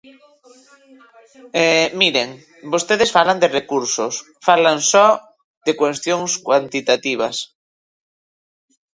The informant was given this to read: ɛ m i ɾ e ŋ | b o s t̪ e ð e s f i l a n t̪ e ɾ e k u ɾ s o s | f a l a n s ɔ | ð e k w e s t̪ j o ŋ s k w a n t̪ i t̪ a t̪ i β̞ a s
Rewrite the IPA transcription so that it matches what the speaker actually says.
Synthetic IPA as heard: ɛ m i ɾ e ŋ | b o s t̪ e ð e s f a l a n d̪ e r e k u ɾ s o s | f a l a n s ɔ | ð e k w e s t̪ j o ŋ s k w a n t̪ i t̪ a t̪ i β̞ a s